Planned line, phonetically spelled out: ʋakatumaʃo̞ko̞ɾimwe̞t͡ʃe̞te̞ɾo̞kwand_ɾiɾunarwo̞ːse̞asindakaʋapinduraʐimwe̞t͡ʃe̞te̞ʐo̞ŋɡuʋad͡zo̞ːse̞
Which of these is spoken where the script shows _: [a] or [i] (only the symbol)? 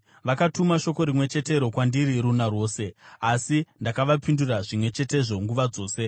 i